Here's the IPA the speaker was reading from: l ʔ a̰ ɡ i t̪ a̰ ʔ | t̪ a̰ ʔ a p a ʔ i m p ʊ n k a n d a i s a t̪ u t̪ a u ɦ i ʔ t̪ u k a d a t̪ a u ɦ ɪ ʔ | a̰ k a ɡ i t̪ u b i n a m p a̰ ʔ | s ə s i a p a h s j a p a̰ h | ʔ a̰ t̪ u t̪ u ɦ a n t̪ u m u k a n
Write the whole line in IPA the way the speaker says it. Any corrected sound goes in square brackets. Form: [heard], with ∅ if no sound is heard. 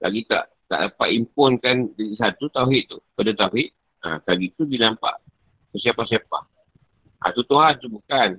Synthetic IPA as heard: l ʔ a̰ ɡ i t̪ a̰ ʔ | t̪ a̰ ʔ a p a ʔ i m p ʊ n k a n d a i s a t̪ u t̪ a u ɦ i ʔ t̪ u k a d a t̪ a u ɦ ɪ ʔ | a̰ k a ɡ i t̪ u [d] i n a m p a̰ ʔ | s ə s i a p a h s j a p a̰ h | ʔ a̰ t̪ u t̪ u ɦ a n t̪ u [b] u k a n